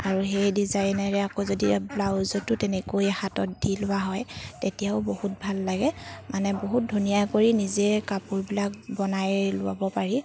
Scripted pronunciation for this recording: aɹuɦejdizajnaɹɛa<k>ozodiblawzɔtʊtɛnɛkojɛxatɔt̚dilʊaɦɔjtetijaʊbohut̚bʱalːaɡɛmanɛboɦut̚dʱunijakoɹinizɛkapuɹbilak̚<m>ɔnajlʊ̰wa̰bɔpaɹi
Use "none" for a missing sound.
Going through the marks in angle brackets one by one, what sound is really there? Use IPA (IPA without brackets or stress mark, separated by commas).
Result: k, b